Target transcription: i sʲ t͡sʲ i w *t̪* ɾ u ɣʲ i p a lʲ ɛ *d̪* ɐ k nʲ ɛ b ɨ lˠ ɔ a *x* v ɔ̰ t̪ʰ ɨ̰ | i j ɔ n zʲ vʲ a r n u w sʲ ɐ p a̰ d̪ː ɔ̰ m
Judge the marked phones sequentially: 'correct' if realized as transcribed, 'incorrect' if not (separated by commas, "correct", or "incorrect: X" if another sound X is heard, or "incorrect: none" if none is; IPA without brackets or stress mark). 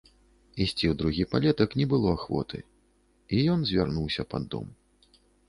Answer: incorrect: d̪, incorrect: t̪, correct